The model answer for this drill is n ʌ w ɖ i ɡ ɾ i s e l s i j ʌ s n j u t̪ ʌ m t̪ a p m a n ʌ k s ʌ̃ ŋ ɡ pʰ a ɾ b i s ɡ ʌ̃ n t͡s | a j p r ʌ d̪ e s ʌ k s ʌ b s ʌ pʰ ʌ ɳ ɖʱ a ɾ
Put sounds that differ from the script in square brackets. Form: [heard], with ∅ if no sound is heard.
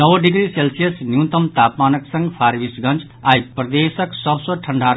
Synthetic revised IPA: n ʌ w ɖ i ɡ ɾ i s e l s i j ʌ s n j u t̪ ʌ m t̪ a p m a n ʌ k s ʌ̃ ŋ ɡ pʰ a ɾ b i s ɡ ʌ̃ n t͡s | a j p r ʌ d̪ e s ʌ k s ʌ b s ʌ [ʈʰ] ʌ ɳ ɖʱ a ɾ

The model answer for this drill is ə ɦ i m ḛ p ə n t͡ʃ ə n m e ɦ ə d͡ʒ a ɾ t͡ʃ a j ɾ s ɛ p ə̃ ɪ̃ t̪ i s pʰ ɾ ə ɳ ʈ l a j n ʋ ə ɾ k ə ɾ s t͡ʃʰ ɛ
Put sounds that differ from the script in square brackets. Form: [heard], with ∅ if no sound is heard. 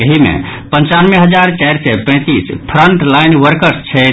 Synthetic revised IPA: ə ɦ i m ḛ p ə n t͡ʃ [a] n m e ɦ ə d͡ʒ a ɾ t͡ʃ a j ɾ s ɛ p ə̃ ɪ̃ t̪ i s pʰ ɾ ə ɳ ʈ l a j n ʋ ə ɾ k ə ɾ s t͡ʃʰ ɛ

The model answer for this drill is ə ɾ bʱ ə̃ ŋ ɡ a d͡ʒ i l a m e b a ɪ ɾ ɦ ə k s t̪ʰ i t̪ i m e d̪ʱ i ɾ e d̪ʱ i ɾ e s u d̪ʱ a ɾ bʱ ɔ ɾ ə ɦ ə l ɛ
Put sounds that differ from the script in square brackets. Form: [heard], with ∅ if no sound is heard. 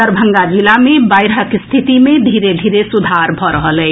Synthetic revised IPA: ə ɾ bʱ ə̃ ŋ ɡ a d͡ʒ i l a m e b a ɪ ɾ ɦ ə k s t̪ʰ i t̪ i m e d̪ʱ i ɾ e d̪ʱ i ɾ e s u d̪ʱ a ɾ bʱ ɔ ɾ ə ɦ ə l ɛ

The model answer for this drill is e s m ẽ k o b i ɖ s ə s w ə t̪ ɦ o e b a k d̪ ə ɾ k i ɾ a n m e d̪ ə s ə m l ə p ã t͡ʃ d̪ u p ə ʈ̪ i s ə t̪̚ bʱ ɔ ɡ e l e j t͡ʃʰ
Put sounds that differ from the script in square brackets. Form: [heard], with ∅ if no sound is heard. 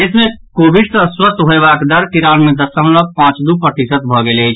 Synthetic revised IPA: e s m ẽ k o b i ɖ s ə s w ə t̪ ɦ o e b a k d̪ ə ɾ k i ɾ a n m e d̪ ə s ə m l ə p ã t͡ʃ d̪ u p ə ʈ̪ i s ə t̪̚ bʱ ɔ ɡ e l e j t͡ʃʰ

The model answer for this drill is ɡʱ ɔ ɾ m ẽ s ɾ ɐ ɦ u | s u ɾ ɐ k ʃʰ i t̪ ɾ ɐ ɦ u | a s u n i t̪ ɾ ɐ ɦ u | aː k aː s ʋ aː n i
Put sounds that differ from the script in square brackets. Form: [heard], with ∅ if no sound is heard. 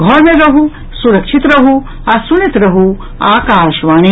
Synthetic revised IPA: ɡʱ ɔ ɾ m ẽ [∅] ɾ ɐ ɦ u | s u ɾ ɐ k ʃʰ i t̪ ɾ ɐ ɦ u | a s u n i t̪ ɾ ɐ ɦ u | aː k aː [ʃ] ʋ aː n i

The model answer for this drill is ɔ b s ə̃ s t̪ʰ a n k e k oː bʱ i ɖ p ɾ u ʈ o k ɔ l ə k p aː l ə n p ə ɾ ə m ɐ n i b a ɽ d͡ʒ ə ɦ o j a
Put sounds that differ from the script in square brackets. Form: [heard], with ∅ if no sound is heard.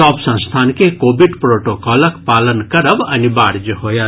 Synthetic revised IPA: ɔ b s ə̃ s t̪ʰ a n k e k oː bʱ i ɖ p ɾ [o] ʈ o k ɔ l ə k p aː l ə n [k] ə ɾ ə [b] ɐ n i b a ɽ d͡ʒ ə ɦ o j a

